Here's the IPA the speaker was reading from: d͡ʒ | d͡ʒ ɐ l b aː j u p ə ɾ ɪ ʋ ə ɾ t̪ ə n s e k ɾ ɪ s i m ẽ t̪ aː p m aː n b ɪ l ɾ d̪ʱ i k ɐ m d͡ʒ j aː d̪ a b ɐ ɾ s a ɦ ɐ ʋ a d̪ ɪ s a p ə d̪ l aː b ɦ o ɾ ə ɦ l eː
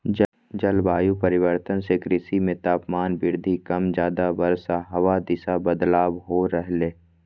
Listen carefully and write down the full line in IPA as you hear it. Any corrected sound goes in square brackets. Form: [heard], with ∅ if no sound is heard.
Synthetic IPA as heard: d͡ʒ | d͡ʒ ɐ l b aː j u p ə ɾ ɪ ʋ ə ɾ t̪ ə n s e k ɾ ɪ s i m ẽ t̪ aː p m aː n b ɪ [∅] ɾ d̪ʱ i k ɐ m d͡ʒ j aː d̪ a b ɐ ɾ s a ɦ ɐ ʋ a d̪ ɪ s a [b] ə d̪ l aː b ɦ o ɾ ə ɦ l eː